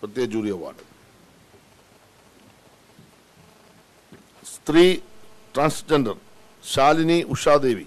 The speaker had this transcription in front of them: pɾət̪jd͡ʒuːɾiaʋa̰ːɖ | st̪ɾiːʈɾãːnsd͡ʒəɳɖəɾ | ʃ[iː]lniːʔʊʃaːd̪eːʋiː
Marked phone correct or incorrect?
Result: incorrect